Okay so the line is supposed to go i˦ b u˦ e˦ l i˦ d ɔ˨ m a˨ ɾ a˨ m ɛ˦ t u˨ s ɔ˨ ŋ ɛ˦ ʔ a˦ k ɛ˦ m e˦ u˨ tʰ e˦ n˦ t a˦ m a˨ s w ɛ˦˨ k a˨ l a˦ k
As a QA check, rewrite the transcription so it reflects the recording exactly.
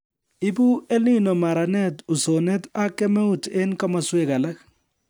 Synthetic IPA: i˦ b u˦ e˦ l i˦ n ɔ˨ m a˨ ɾ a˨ n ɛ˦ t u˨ s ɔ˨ n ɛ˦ t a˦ k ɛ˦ m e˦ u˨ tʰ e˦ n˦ k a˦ m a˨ s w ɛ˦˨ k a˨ l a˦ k